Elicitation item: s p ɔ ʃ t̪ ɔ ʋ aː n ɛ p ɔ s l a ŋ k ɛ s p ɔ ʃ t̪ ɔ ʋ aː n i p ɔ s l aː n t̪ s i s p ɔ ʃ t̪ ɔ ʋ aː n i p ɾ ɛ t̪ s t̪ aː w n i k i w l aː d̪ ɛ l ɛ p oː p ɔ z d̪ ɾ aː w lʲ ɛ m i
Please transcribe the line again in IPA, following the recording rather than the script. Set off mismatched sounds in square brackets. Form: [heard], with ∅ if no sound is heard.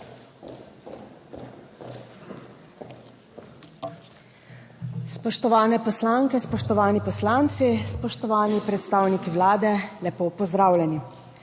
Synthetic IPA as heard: s p ɔ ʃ t̪ ɔ ʋ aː n ɛ p ɔ s l a ŋ k ɛ s p ɔ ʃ t̪ ɔ ʋ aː n i p ɔ s l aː n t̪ s i s p ɔ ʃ t̪ ɔ ʋ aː n i p ɾ ɛ t̪ s t̪ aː w n i k i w l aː d̪ ɛ l ɛ p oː p ɔ z d̪ ɾ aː w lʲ ɛ [n] i